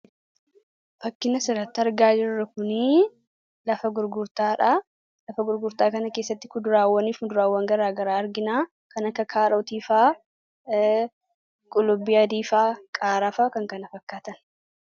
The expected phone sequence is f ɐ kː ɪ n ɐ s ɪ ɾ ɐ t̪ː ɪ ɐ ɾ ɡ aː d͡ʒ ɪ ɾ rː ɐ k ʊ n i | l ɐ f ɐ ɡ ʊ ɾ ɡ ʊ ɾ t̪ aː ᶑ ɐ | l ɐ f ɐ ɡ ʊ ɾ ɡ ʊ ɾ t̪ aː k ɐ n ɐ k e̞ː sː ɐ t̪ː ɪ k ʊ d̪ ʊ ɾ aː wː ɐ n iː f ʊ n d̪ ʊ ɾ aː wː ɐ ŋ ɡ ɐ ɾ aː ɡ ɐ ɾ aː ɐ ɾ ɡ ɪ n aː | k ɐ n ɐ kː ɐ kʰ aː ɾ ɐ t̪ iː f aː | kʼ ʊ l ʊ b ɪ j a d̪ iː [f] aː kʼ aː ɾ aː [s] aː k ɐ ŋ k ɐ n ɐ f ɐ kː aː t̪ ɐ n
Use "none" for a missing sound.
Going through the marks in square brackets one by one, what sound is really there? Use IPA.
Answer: f, f

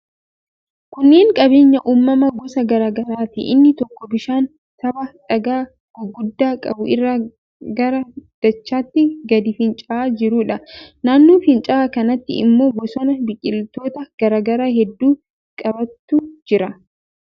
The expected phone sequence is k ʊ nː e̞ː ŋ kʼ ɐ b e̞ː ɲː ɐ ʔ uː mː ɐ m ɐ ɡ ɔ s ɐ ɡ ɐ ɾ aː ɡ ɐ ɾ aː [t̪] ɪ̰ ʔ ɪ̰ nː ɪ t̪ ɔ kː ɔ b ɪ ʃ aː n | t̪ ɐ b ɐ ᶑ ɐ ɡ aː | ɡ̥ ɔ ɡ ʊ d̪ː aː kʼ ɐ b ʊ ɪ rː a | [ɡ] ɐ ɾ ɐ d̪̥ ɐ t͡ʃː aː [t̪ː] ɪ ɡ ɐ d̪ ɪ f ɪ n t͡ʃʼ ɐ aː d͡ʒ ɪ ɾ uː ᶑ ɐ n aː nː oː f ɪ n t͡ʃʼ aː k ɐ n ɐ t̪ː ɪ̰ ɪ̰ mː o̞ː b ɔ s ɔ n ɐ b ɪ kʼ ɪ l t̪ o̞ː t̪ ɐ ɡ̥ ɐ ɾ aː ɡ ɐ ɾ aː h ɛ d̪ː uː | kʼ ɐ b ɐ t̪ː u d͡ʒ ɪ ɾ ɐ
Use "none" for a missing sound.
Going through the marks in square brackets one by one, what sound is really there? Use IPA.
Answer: t̪, ɡ, t̪ː

